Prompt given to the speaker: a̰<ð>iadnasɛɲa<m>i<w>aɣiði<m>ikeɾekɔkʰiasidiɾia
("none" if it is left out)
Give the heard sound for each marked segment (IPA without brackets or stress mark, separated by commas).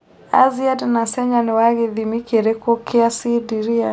z, n, w, m